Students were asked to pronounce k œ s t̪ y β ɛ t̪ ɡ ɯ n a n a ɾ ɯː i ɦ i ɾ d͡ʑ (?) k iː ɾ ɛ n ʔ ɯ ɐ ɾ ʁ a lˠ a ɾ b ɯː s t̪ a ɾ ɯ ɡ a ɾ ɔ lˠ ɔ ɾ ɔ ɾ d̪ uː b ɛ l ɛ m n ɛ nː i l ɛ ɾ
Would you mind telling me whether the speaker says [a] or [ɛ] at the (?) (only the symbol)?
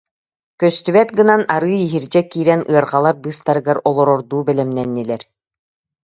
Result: ɛ